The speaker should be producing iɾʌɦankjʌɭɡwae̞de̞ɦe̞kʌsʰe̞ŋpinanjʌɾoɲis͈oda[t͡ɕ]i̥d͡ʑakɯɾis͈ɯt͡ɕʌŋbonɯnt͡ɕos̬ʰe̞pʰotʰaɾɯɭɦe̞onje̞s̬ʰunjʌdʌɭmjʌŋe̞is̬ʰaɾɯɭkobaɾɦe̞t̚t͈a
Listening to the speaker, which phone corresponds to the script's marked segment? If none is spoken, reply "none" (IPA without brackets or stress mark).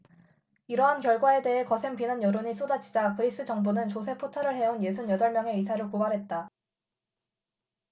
t͡ɕʰ